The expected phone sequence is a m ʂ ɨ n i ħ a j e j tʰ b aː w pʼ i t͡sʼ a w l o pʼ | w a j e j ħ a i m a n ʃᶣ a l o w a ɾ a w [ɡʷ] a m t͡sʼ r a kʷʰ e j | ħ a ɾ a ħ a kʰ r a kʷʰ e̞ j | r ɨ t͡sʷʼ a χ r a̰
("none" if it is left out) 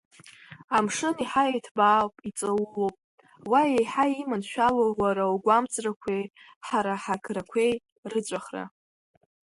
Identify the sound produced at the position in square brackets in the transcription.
ɡʷ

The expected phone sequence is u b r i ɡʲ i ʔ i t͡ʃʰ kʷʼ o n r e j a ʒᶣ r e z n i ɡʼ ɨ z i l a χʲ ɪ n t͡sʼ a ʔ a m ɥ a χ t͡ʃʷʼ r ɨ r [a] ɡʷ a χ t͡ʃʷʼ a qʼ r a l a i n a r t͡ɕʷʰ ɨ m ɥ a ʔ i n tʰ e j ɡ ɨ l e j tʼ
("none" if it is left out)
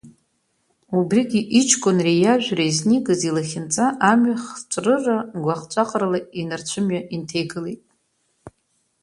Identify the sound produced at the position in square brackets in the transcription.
a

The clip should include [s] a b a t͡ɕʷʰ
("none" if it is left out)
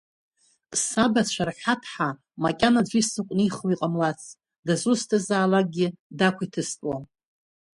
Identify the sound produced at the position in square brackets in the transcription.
s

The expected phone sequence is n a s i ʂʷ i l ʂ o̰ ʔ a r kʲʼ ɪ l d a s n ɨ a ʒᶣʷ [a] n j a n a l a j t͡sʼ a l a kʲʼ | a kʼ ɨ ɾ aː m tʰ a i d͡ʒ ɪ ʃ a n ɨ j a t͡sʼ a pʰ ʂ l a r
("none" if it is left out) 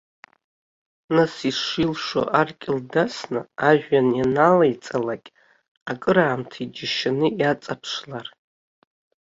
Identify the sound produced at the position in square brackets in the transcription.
a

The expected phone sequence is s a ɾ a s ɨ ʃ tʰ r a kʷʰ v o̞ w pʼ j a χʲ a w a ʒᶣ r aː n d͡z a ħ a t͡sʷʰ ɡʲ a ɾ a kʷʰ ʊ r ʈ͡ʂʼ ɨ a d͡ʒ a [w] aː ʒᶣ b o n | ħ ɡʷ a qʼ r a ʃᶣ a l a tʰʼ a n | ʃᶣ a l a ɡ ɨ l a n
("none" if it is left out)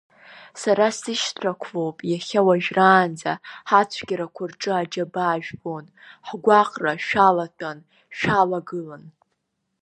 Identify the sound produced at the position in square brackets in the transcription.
b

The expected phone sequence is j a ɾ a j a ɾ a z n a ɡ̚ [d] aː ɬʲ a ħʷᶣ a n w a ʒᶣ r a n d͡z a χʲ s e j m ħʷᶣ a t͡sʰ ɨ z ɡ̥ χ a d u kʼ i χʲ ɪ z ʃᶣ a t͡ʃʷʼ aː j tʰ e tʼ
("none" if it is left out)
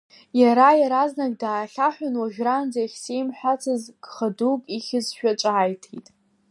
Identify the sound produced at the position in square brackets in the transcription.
d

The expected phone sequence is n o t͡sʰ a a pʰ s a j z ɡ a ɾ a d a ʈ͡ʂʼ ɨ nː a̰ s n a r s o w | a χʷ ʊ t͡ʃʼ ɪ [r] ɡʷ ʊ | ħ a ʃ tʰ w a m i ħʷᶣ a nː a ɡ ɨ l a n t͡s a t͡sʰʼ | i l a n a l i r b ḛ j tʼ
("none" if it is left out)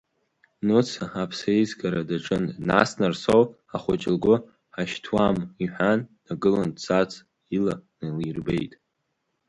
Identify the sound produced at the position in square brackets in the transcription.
l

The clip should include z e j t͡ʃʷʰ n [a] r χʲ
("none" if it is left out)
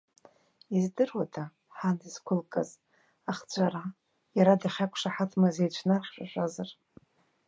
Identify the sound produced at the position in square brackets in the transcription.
a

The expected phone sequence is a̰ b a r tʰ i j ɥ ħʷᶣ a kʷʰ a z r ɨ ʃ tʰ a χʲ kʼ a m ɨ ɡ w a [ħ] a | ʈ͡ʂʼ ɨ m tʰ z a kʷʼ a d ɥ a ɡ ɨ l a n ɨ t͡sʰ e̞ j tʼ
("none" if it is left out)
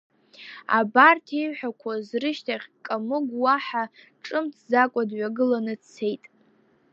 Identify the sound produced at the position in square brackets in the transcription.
ħ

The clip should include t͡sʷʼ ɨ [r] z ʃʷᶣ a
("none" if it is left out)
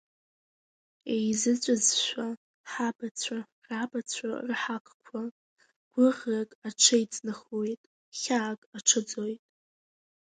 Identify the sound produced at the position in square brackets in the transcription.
none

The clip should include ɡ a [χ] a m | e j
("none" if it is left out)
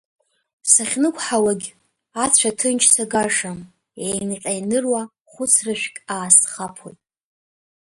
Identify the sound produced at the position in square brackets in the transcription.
ʂ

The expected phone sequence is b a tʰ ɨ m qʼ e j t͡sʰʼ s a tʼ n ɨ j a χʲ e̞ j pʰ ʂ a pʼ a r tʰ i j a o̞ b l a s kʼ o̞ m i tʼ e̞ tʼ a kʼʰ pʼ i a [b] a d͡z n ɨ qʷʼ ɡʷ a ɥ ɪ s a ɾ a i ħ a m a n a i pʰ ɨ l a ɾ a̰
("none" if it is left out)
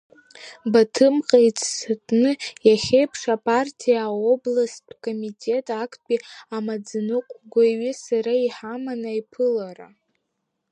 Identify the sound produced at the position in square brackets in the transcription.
m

